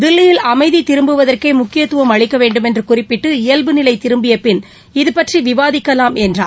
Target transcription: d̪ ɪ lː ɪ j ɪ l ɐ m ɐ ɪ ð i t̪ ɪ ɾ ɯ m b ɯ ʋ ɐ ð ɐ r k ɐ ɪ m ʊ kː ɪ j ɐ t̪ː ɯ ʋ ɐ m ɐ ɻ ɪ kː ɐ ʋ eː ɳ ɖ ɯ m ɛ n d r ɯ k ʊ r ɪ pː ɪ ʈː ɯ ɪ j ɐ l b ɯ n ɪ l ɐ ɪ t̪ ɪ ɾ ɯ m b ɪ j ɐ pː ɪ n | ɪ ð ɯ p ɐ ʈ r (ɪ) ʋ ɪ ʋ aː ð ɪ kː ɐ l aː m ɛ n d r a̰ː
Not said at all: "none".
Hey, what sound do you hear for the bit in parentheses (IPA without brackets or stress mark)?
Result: i